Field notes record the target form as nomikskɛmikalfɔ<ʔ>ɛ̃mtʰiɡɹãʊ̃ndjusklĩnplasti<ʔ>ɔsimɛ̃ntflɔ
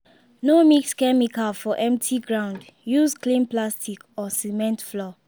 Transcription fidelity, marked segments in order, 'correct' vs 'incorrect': correct, incorrect

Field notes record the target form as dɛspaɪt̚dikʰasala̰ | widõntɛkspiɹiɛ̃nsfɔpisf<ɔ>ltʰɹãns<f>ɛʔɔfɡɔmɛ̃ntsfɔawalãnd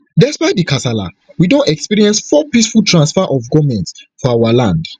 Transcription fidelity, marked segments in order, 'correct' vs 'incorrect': incorrect, correct

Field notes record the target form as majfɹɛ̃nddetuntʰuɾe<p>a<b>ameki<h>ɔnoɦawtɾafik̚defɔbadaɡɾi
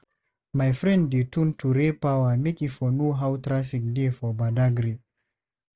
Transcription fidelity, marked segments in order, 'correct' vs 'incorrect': correct, incorrect, incorrect

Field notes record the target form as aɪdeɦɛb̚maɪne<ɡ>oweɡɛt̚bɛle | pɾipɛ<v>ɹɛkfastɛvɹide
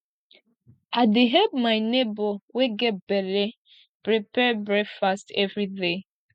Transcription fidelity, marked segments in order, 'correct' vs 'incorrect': incorrect, incorrect

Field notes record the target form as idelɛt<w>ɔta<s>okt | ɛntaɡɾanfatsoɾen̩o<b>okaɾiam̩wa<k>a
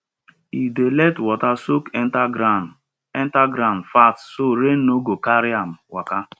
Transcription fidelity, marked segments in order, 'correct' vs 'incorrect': correct, correct, incorrect, correct

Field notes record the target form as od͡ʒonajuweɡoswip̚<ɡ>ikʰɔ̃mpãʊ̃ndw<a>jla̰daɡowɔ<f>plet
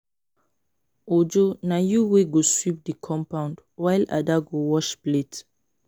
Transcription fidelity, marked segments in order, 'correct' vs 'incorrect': incorrect, correct, incorrect

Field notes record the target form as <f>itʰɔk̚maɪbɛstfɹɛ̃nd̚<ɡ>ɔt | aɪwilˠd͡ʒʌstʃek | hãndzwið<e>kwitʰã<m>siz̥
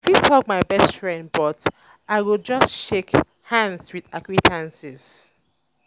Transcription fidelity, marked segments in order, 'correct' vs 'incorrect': correct, incorrect, incorrect, incorrect

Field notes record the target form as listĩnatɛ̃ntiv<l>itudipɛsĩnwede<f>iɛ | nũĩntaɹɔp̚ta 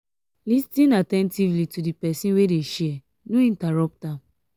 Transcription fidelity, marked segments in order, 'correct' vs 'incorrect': correct, incorrect

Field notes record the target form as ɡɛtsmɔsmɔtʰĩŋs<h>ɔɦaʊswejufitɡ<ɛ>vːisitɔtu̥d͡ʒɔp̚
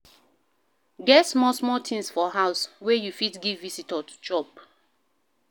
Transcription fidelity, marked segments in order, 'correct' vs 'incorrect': incorrect, incorrect

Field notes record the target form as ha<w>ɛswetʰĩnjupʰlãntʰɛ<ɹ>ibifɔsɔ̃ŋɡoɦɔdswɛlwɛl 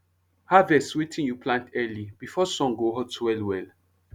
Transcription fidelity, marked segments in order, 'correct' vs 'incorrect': incorrect, incorrect

